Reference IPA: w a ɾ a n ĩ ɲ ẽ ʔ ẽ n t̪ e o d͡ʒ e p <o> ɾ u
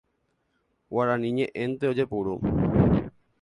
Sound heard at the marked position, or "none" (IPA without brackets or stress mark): u